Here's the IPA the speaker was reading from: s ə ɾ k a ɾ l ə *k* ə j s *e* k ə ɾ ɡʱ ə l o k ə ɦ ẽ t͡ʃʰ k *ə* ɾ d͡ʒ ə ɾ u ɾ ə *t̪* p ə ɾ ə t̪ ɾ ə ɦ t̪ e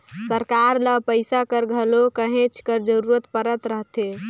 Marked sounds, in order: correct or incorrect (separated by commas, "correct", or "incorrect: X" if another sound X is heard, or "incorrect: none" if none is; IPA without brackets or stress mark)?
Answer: incorrect: p, incorrect: a, correct, correct